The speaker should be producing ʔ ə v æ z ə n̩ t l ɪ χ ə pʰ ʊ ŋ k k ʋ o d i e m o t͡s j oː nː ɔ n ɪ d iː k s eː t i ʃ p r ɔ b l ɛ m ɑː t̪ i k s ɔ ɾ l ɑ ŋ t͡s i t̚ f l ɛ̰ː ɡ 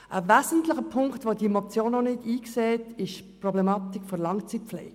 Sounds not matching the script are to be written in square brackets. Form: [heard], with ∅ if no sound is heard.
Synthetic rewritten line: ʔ ə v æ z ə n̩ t l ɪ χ ə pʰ ʊ ŋ k [t] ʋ o d i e m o t͡s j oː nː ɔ n ɪ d iː k s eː t [ɪ] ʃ p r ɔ b l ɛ m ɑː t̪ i k [f] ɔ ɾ l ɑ ŋ t͡s i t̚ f l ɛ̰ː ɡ